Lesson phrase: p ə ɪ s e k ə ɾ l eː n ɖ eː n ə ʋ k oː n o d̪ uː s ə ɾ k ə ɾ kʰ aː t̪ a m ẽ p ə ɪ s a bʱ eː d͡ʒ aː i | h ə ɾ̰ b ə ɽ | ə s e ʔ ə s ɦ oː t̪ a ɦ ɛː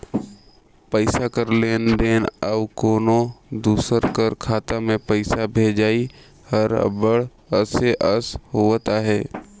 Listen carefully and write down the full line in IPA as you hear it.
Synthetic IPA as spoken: p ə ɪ s a k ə ɾ l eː n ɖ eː n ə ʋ k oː n o d̪ uː s ə ɾ k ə ɾ kʰ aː t̪ a m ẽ p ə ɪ s a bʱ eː d͡ʒ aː i | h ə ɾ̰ b ə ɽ | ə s e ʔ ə s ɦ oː t̪ a ɦ ɛː